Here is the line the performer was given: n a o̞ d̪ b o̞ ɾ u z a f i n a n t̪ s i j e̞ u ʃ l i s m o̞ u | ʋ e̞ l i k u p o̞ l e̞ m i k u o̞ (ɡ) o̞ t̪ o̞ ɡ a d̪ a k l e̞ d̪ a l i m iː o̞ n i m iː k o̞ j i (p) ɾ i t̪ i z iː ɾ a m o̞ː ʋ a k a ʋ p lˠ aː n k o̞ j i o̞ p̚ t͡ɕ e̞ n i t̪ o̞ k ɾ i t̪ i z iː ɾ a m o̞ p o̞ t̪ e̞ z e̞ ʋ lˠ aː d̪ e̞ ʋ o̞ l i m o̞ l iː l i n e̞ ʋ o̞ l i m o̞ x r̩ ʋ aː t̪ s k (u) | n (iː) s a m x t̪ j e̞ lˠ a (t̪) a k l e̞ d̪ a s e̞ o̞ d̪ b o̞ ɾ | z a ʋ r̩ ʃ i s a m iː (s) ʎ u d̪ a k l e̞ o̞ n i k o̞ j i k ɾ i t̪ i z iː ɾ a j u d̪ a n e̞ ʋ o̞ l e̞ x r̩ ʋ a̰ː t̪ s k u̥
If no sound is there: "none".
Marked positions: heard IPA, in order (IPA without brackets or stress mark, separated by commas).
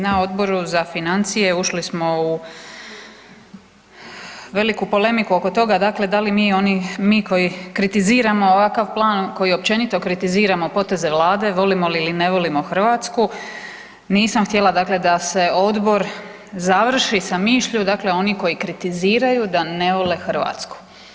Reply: k, k, u, iː, d̪, ʃ